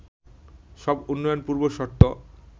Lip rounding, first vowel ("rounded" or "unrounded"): rounded